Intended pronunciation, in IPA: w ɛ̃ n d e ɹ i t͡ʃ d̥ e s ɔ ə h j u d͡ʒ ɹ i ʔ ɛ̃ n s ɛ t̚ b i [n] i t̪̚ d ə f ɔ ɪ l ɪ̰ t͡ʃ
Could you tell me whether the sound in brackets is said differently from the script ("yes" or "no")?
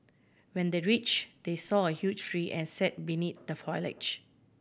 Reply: no